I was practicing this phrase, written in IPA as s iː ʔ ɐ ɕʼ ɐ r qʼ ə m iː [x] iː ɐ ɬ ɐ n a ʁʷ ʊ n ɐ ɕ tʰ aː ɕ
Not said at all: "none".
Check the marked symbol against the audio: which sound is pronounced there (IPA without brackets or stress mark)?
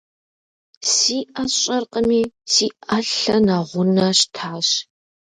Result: s